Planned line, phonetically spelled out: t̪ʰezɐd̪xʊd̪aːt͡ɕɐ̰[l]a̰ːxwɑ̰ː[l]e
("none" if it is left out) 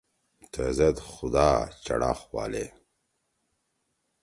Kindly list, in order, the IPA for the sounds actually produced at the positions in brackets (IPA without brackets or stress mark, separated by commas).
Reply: ɽ, l